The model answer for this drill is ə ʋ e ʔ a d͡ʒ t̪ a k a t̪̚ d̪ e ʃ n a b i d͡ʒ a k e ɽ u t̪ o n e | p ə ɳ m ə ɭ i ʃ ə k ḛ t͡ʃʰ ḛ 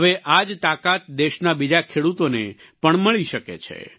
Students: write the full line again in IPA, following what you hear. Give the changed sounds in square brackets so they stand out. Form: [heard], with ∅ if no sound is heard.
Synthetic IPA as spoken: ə ʋ e ʔ a d͡ʒ t̪ a k a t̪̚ d̪ e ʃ n a b i d͡ʒ a [kʰ] e ɽ u t̪ o n e | p ə ɳ m ə ɭ i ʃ ə k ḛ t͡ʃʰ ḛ